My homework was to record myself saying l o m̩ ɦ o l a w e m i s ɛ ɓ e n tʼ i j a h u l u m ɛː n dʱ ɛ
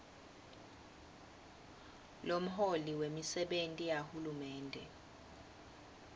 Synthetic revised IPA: l o m̩ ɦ o l i w e m i s ɛ ɓ e n tʼ i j a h u l u m ɛː n dʱ ɛ